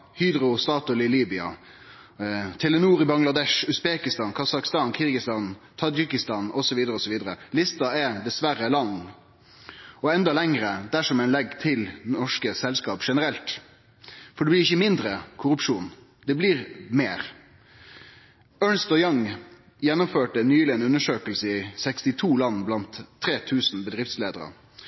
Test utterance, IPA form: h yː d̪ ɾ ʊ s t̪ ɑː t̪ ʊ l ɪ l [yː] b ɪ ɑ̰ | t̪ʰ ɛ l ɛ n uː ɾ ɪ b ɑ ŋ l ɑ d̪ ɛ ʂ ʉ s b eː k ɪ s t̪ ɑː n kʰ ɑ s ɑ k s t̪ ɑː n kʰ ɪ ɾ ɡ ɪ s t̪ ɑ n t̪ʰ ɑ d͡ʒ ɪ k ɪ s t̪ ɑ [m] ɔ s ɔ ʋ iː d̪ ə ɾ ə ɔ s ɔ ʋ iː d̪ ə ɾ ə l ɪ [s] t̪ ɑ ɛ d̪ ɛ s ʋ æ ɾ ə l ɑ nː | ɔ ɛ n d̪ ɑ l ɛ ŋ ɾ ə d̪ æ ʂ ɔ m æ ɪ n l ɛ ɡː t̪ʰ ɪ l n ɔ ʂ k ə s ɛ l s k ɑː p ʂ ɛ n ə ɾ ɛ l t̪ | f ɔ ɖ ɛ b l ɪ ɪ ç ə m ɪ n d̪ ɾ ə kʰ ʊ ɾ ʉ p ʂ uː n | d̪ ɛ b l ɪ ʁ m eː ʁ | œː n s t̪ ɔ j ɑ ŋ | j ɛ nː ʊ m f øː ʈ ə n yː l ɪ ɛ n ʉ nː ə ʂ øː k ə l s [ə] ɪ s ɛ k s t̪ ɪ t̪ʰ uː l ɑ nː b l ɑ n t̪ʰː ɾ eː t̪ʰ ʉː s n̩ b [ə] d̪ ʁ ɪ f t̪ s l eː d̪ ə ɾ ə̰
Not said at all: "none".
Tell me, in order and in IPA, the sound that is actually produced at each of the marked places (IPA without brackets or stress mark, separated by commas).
iː, n, s, ə, ə